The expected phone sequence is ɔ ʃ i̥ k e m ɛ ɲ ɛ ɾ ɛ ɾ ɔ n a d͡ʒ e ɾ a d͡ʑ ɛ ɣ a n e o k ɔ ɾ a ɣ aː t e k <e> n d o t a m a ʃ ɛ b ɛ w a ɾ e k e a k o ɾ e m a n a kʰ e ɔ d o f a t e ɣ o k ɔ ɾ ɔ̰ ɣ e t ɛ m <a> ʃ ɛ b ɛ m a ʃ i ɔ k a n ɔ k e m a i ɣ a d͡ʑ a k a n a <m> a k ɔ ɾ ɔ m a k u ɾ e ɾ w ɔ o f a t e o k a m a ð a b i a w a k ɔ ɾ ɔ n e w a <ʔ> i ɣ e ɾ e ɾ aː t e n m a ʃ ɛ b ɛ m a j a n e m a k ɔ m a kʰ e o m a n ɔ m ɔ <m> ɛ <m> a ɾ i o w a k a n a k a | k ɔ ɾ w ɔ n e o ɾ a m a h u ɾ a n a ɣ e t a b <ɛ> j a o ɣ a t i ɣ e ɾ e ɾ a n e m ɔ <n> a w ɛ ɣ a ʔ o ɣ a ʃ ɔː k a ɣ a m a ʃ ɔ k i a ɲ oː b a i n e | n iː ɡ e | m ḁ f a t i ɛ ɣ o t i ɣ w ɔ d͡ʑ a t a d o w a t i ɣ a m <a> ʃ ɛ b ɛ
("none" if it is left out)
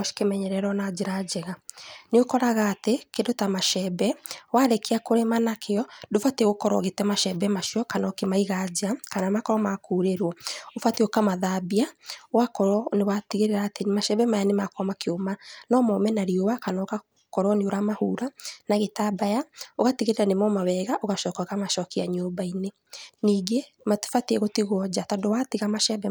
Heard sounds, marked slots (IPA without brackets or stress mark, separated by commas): e, a, m, t, m, n, a, m, a